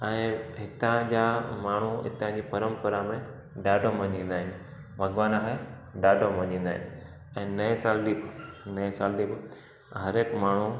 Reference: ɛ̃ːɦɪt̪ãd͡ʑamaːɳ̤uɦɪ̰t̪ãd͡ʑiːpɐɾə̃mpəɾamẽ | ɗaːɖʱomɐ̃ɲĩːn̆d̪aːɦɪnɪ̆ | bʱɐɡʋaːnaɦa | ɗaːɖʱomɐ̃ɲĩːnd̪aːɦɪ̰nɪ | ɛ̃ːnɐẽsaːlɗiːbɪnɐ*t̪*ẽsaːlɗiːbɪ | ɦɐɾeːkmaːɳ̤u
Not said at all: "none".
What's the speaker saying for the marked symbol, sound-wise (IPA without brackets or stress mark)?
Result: none